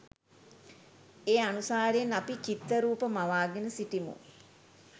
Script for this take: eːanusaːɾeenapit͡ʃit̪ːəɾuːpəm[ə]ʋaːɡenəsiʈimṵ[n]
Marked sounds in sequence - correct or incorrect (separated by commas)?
incorrect, incorrect